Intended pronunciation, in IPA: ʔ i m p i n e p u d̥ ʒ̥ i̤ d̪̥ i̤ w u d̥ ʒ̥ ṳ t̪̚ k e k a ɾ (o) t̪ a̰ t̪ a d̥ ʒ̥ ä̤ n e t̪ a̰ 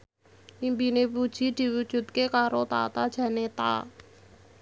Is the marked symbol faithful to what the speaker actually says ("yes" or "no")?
yes